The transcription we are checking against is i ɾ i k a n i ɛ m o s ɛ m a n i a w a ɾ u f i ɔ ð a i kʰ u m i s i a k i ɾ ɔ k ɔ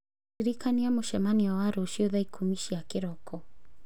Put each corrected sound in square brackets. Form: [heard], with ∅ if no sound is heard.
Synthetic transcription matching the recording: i ɾ i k a n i [a] m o [ʃ] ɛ m a n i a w a ɾ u [ʃ] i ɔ ð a i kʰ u m i [ʃ] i a k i ɾ ɔ k ɔ